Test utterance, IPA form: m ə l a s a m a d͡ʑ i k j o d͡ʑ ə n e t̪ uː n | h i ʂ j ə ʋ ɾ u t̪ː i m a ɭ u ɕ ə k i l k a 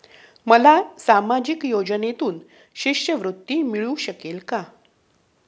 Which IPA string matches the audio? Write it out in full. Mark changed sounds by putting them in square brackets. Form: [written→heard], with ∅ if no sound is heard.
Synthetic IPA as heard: m ə l a s a m a d͡ʑ i k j o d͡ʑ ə n e t̪ uː n | [h→ɕ] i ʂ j ə ʋ ɾ u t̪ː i m [a→i] ɭ u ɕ ə k [i→e] l k a